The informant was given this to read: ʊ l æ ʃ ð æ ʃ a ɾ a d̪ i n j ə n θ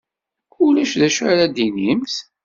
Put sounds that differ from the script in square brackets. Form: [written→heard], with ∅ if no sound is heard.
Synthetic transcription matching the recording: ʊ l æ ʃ ð æ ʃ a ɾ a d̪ i n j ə [n→m] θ